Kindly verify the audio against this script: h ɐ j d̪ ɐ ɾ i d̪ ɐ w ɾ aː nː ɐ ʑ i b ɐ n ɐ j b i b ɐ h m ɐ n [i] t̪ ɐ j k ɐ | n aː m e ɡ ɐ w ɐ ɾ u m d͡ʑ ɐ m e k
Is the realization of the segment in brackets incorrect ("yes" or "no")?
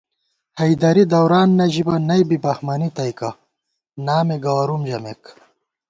no